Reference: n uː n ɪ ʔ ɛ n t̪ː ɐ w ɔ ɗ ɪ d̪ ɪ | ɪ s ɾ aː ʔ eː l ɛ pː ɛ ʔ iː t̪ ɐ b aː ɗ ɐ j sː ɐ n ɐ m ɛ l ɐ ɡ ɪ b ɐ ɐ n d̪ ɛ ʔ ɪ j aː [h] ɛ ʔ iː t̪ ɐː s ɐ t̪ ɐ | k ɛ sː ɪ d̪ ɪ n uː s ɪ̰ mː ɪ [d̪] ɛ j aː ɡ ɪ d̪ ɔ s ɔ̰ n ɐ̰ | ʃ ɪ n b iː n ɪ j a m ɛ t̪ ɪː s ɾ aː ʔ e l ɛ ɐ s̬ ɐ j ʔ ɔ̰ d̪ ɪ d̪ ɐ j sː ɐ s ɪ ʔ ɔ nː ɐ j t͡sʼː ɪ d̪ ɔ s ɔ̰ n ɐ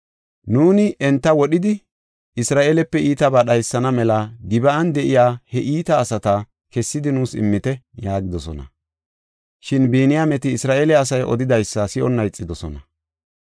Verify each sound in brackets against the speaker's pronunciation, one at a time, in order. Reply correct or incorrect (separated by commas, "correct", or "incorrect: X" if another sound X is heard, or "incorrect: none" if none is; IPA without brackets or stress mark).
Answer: correct, incorrect: t̪